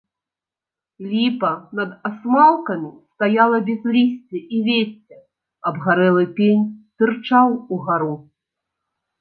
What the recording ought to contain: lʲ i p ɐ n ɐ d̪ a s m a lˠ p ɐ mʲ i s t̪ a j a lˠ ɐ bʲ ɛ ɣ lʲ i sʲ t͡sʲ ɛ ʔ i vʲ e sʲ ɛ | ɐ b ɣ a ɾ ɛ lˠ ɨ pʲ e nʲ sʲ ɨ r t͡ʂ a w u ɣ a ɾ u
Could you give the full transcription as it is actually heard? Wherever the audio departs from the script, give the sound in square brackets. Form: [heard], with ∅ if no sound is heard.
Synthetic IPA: lʲ i p ɐ n ɐ d̪ a s m a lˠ [k] ɐ mʲ i s t̪ a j a lˠ ɐ bʲ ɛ [z] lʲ i sʲ t͡sʲ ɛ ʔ i vʲ e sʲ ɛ | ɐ b ɣ a ɾ ɛ lˠ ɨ pʲ e nʲ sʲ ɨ r t͡ʂ a w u ɣ a ɾ u